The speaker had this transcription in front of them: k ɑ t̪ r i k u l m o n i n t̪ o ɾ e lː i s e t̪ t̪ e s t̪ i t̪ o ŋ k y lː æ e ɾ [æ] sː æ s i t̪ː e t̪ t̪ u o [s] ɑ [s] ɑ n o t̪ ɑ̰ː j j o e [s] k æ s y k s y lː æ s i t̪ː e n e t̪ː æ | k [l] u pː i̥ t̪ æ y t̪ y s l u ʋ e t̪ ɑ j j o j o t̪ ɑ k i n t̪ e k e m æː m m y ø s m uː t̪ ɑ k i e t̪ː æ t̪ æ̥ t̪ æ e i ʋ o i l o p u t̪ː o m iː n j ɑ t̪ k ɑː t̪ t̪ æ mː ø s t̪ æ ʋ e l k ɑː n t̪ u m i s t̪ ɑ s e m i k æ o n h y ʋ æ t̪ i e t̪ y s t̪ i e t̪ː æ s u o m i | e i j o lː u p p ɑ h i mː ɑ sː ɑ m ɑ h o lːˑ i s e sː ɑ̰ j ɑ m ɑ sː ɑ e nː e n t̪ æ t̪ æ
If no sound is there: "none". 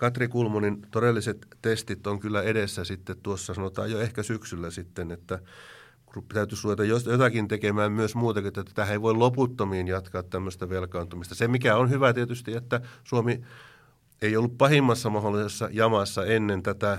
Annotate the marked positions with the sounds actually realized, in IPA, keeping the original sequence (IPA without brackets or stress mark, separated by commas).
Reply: e, sː, s, h, r